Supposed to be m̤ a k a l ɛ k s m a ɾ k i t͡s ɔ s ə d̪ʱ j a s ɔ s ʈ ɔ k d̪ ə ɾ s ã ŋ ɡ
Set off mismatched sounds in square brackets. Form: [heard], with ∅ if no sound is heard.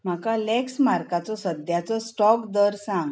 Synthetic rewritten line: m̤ a k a l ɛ k s m a ɾ k [a] t͡s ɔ s ə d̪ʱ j a [t͡s] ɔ s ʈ ɔ k d̪ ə ɾ s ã ŋ ɡ